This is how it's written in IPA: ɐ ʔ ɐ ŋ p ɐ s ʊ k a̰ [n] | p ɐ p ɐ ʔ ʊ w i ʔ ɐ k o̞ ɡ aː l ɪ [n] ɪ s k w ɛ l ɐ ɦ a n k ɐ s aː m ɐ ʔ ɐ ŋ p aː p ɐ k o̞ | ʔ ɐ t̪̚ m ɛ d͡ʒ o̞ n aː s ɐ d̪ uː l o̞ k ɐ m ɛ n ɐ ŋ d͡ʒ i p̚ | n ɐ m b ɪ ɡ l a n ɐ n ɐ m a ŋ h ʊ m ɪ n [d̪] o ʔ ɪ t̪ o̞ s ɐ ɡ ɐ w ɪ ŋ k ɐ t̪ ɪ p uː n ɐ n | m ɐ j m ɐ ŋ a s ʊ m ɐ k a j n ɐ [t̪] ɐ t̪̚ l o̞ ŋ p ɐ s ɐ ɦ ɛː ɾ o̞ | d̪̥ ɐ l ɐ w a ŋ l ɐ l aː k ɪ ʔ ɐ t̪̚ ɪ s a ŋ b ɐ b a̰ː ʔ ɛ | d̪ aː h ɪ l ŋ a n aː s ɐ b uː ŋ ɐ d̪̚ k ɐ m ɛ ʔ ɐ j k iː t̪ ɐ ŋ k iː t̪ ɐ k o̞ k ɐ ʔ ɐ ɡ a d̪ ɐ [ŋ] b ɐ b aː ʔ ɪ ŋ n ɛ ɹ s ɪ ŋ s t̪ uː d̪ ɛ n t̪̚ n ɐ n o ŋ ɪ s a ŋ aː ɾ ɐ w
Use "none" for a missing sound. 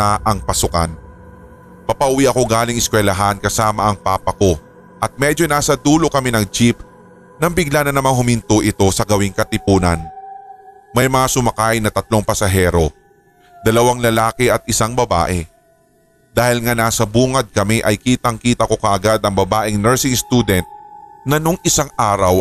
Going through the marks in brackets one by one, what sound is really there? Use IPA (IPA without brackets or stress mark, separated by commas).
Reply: n, ŋ, t̪, t̪, ŋ